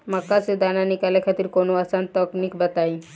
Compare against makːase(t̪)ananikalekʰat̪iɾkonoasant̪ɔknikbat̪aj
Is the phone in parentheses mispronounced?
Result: yes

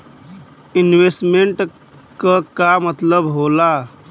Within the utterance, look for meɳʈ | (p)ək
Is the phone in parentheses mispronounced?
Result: yes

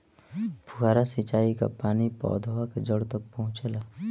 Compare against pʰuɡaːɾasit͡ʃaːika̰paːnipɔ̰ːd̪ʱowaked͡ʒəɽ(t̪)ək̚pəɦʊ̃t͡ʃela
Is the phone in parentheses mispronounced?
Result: no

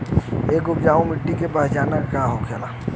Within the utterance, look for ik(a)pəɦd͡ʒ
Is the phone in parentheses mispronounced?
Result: yes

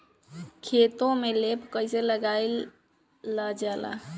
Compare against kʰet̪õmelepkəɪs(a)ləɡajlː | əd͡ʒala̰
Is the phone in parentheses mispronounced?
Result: yes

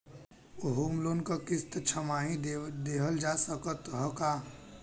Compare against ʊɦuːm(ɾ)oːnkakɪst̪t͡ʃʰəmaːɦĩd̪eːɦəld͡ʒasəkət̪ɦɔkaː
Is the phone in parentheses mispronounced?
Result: yes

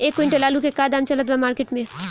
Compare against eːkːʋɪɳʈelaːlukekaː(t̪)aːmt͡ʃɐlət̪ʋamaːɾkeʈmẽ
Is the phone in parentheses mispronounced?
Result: yes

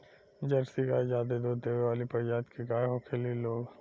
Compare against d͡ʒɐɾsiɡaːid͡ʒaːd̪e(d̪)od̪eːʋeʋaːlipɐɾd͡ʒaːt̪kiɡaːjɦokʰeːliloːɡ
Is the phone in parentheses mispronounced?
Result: no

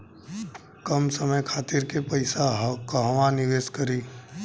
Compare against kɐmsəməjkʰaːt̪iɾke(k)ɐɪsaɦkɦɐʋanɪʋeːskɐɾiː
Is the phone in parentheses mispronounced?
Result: yes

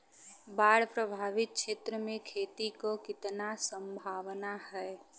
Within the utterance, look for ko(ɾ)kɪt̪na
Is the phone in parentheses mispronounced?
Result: yes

